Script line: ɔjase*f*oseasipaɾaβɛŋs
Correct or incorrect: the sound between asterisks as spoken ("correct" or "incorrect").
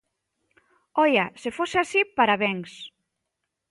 correct